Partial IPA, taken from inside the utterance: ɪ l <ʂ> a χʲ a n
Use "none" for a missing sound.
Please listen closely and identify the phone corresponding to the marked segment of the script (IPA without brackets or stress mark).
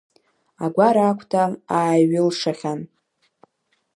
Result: ʂ